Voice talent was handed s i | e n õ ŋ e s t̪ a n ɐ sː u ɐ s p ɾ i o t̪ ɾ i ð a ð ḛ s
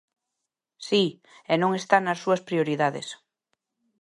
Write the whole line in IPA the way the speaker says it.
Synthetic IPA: s i | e n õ ŋ e s t̪ a n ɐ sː u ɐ s p ɾ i o ɾ i ð a ð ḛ s